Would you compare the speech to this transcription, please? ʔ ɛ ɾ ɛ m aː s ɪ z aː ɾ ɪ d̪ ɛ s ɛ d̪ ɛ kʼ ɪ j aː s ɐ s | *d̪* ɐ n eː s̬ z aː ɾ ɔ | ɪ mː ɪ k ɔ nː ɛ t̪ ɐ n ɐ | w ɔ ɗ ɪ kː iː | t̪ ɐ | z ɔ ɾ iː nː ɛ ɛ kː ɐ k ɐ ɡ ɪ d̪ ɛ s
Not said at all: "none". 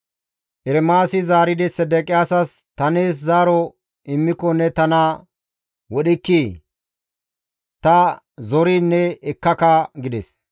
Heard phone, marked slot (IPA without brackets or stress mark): t̪